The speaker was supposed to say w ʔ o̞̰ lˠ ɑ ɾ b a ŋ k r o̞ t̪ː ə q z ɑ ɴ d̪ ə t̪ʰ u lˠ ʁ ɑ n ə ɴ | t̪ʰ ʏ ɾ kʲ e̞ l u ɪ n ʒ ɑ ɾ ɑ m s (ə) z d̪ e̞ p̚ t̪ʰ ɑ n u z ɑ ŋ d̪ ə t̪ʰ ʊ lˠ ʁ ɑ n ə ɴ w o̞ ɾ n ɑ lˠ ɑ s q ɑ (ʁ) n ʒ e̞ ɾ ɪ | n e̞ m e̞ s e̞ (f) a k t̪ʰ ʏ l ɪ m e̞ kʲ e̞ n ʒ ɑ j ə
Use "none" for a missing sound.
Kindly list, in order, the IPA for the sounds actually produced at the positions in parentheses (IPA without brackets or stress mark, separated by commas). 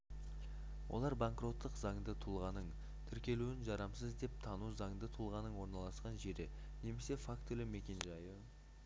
ə, none, f